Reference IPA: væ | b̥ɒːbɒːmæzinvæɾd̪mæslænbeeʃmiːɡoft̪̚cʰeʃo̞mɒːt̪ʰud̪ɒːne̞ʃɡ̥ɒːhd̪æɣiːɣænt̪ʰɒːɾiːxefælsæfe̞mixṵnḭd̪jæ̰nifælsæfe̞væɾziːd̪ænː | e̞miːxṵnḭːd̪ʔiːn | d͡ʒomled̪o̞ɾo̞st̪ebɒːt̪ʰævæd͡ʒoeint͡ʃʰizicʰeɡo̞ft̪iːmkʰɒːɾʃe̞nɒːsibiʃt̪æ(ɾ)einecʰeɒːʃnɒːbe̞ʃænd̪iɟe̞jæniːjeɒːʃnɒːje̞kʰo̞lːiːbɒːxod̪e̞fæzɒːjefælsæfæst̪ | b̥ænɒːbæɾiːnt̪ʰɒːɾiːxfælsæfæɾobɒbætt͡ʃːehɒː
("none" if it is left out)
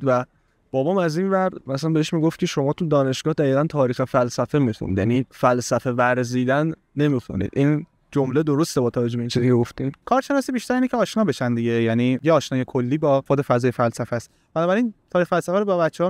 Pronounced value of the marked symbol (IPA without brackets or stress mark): ɾ